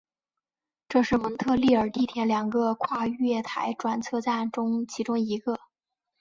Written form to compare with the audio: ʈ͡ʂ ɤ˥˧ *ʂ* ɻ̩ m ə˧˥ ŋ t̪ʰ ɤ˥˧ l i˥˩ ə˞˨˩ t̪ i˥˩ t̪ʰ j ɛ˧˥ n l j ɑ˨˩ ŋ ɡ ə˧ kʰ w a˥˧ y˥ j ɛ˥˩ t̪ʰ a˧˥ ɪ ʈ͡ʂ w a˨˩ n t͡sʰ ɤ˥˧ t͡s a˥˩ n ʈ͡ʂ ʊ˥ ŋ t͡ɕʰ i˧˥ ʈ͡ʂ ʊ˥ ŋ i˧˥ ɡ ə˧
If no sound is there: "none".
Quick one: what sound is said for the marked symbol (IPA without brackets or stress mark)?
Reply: ʂ